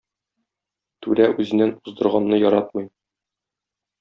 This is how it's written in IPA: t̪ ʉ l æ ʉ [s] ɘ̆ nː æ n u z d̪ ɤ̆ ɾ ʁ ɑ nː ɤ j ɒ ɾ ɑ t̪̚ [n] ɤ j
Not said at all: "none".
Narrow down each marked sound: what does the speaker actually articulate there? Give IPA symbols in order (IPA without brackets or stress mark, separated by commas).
z, m